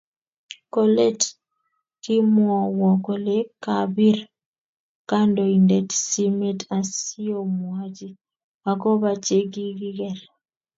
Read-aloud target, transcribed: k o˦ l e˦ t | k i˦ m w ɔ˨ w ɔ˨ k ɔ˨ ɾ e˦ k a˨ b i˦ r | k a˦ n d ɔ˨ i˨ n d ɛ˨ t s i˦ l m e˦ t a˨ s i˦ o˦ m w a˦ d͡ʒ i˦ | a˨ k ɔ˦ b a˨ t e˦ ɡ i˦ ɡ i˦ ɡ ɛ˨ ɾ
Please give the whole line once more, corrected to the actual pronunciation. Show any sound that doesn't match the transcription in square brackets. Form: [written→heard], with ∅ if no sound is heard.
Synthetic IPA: k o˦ l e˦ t | k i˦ m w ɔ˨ w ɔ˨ k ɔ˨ [ɾ→l] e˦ k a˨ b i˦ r | k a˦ n d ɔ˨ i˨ n d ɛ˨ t s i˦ [l→∅] m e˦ t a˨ s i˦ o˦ m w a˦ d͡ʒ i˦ | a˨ k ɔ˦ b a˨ [t→t͡ʃ] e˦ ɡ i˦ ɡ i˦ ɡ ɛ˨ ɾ